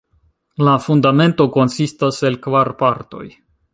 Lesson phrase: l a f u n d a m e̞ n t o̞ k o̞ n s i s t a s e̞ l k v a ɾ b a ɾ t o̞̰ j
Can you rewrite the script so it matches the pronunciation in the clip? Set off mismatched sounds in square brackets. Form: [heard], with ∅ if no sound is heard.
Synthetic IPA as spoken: l a f u n d a m e̞ n t o̞ k o̞ n s i s t a s e̞ l k v a ɾ [p] a ɾ t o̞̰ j